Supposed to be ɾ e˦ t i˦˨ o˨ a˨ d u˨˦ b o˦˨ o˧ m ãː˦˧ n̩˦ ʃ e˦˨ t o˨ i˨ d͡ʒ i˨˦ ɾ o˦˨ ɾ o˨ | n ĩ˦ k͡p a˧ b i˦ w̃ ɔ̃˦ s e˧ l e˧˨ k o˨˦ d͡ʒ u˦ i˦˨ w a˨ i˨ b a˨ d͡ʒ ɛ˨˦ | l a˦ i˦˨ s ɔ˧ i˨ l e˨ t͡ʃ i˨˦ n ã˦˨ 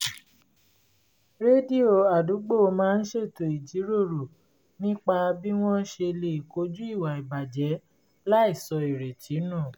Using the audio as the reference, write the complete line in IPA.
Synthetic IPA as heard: ɾ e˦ d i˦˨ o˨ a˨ d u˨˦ ɡ͡b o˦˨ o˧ m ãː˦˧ n̩˦ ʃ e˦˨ t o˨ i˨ d͡ʒ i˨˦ ɾ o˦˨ ɾ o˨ | n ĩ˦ k͡p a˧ b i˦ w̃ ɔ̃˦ ʃ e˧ l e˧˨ k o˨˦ d͡ʒ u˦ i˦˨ w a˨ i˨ b a˨ d͡ʒ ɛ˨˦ | l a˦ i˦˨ s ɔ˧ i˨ ɾ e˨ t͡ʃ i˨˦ n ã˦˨